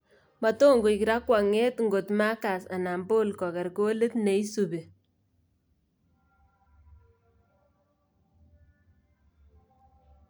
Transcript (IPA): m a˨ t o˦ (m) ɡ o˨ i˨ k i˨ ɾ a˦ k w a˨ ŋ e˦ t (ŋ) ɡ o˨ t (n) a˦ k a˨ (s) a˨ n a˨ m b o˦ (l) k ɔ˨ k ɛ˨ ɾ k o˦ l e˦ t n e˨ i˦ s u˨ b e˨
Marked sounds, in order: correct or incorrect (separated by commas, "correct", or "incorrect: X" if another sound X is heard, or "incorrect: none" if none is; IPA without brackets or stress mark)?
incorrect: ŋ, correct, incorrect: m, correct, correct